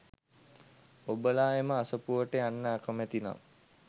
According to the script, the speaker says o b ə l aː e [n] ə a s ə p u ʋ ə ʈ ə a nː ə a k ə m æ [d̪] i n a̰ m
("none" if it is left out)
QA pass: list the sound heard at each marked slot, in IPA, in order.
m, t̪

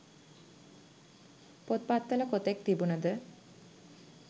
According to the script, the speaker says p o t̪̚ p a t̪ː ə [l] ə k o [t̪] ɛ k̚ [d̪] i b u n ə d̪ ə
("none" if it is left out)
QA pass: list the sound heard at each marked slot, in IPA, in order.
l, t̪, t̪

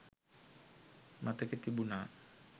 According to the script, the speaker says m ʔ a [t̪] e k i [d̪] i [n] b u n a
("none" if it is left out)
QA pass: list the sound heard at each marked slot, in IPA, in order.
t̪, t̪, none

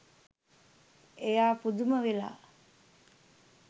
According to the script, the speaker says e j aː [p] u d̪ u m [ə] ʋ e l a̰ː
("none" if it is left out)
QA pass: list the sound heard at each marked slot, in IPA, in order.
p, ə

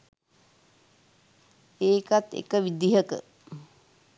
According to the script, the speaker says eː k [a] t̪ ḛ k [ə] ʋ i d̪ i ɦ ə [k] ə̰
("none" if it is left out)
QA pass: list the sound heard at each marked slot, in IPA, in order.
a, ə, k

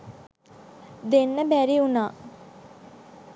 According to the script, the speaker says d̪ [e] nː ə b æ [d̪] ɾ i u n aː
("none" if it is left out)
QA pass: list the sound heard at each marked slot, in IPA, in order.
e, none

